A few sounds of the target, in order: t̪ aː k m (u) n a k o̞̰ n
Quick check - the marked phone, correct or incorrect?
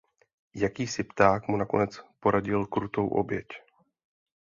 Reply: correct